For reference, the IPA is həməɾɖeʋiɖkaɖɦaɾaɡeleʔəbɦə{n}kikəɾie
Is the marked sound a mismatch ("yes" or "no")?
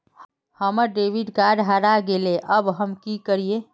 yes